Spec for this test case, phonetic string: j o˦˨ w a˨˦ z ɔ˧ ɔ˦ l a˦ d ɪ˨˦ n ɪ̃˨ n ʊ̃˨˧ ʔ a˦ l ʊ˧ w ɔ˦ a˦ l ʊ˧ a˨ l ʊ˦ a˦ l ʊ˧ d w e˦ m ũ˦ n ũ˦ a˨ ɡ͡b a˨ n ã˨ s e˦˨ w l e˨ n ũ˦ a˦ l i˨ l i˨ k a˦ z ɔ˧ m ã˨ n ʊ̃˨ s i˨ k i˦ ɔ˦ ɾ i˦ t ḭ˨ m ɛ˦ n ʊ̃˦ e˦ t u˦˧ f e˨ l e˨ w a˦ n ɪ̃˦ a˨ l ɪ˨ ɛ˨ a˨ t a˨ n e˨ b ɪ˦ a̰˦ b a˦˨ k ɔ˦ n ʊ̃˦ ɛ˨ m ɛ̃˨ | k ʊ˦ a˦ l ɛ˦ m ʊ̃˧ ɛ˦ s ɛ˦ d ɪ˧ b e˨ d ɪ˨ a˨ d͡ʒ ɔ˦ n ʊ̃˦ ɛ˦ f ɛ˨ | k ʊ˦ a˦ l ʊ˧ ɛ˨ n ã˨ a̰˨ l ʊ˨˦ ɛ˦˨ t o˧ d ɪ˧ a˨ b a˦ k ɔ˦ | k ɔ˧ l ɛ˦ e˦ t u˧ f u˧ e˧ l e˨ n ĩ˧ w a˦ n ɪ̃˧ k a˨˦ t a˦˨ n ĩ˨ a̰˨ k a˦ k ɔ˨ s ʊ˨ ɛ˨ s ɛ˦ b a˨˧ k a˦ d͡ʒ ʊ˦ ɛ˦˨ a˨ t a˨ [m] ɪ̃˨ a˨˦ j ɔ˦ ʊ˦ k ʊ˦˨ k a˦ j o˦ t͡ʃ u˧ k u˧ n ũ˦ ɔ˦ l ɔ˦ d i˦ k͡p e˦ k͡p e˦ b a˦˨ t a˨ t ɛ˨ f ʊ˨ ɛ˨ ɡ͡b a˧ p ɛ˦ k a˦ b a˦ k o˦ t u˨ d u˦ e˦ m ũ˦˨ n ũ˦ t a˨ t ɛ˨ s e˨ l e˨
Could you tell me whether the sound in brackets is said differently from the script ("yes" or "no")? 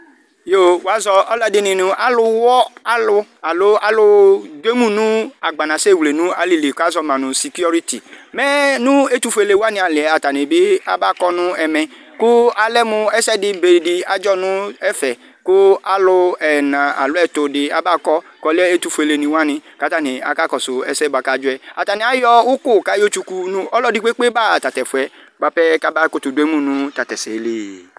yes